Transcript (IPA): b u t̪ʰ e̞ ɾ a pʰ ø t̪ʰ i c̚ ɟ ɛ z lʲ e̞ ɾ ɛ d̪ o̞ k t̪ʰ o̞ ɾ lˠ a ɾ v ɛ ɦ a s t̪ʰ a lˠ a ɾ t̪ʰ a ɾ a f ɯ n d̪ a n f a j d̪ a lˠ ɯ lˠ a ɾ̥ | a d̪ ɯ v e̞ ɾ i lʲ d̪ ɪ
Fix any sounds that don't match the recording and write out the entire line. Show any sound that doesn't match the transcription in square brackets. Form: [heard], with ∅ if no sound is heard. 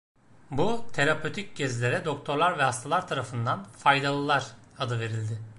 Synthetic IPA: b u t̪ʰ e̞ ɾ a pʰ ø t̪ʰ i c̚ ɟ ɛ z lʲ e̞ ɾ ɛ d̪ o̞ k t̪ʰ o̞ ɾ lˠ a ɾ v ɛ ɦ a s t̪ʰ a lˠ a ɾ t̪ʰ a ɾ a f ɯ n d̪ a n f a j d̪ a lˠ ɯ lˠ a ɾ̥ | a d̪ ɯ v e̞ ɾ i lʲ d̪ ɪ